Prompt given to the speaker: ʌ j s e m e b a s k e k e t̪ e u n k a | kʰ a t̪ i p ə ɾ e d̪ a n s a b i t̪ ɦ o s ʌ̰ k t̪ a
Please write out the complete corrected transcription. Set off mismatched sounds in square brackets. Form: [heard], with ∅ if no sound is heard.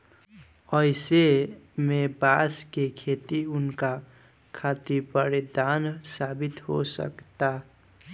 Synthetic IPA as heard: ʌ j s e m e b a s k e [kʰ] e t̪ [i] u n k a | kʰ a t̪ i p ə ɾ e d̪ a n s a b i t̪ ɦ o s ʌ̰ k t̪ a